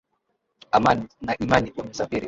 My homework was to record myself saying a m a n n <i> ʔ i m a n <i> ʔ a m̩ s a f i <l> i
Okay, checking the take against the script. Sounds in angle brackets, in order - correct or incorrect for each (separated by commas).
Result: incorrect, correct, incorrect